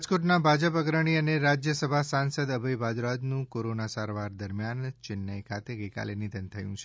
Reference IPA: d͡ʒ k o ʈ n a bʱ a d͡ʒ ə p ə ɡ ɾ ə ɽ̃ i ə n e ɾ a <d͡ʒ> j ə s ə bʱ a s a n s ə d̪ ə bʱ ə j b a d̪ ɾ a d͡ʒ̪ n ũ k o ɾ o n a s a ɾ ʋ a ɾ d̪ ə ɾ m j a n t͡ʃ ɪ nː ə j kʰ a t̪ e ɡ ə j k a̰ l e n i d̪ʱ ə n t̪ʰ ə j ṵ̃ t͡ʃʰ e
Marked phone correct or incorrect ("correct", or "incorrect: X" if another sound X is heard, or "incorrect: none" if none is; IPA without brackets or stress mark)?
correct